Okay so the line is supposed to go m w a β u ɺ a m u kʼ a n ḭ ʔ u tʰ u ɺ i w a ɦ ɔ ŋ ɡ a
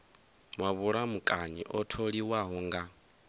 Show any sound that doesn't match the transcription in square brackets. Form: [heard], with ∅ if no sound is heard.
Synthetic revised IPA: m w a β u ɺ a m u kʼ a [ɲ] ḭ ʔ [ɔ] tʰ [o] ɺ i w a ɦ ɔ ŋ ɡ a